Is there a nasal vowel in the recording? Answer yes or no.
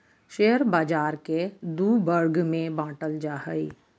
yes